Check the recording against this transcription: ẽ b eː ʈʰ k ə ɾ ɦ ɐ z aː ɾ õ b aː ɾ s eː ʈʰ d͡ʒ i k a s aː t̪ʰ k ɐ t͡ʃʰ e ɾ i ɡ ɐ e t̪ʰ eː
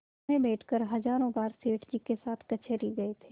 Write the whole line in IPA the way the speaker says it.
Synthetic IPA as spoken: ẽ b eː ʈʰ k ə ɾ ɦ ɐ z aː ɾ õ b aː ɾ s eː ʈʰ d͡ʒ i k e s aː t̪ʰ k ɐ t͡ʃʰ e ɾ i ɡ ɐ e t̪ʰ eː